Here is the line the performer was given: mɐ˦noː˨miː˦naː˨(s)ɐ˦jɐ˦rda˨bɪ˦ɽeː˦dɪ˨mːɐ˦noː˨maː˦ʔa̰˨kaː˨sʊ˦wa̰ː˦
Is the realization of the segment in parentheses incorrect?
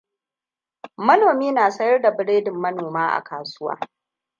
no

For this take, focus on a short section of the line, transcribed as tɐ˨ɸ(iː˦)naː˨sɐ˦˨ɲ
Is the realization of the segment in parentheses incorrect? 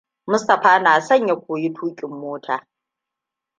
yes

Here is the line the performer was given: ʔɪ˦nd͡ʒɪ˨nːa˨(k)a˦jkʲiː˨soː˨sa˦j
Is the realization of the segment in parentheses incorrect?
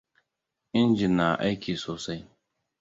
yes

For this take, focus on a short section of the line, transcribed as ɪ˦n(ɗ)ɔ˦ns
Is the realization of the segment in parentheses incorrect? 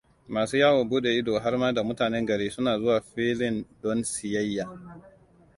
yes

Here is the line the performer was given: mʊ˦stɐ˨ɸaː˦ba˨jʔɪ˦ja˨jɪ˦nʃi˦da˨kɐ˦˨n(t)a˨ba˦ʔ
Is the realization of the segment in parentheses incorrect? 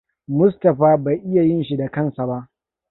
yes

